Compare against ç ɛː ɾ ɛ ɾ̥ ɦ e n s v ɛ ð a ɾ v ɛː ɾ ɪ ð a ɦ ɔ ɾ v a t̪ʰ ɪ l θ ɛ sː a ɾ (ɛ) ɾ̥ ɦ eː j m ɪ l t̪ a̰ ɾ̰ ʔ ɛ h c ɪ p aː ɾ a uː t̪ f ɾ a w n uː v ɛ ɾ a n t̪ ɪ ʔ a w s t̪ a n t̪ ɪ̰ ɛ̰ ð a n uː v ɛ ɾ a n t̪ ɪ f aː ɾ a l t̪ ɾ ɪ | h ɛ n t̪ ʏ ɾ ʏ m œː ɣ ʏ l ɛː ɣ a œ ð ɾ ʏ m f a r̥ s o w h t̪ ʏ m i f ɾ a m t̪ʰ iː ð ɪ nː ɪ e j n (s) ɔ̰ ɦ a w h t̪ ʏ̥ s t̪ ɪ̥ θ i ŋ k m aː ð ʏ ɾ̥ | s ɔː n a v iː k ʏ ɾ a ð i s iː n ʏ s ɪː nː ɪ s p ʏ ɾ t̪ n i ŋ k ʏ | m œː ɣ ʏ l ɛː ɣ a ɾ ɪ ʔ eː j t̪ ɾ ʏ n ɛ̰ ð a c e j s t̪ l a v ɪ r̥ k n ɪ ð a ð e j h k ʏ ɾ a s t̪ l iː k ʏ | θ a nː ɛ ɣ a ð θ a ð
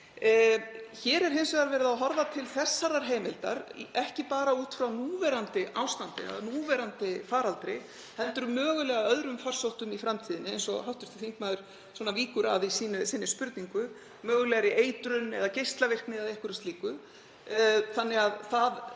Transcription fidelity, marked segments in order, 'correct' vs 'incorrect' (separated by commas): incorrect, correct